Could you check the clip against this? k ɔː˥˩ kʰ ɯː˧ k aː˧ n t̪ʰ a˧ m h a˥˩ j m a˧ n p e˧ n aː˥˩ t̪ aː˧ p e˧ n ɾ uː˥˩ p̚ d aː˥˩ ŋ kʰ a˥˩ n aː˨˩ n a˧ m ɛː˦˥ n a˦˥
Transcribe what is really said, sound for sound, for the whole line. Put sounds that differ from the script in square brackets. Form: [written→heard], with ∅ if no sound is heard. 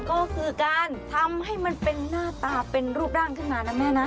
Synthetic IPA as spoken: k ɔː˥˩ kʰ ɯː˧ k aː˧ n t̪ʰ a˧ m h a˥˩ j m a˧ n p e˧ [n→nː] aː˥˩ t̪ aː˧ p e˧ n ɾ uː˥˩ p̚ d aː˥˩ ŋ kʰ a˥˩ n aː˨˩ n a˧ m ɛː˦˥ n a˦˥